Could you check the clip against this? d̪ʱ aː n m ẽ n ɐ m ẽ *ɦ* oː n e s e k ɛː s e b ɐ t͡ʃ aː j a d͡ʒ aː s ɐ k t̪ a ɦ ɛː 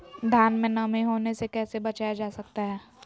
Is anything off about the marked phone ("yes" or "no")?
no